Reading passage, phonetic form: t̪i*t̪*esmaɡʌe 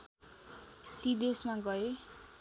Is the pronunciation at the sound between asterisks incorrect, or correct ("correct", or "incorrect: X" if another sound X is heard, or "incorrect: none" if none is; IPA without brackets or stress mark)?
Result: incorrect: d̪